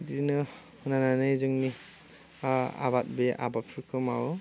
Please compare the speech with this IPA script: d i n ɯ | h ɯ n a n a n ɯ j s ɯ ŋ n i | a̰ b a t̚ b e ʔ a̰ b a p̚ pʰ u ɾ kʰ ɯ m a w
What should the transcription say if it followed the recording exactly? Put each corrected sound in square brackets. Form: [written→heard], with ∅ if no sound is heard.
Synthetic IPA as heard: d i n ɯ | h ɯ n a n a n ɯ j [s→z] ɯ ŋ n i | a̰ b a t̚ b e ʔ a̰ b a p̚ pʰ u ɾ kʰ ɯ m a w